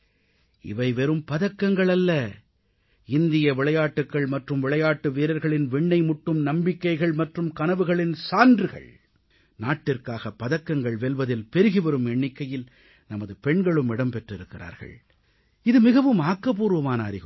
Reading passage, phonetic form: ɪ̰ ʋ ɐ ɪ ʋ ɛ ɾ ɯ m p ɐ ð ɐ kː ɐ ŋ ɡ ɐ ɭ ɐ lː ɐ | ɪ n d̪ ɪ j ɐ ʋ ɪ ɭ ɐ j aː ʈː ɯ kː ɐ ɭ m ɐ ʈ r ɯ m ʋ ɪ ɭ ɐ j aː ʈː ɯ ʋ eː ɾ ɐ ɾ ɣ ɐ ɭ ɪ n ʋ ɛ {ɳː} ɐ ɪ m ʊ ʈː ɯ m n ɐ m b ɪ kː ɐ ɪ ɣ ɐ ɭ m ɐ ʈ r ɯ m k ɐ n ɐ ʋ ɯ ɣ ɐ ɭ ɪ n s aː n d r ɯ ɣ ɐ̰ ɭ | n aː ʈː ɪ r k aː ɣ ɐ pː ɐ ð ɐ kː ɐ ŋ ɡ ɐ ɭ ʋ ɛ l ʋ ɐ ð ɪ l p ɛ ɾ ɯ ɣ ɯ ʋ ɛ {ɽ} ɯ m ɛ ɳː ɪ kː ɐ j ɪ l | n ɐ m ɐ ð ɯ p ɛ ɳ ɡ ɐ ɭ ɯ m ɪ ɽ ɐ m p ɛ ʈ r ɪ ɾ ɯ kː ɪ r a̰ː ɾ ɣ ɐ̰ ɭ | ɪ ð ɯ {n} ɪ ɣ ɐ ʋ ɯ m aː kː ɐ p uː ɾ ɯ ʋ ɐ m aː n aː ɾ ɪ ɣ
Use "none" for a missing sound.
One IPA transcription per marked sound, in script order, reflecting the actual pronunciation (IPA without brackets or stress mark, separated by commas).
ɳː, ɾ, m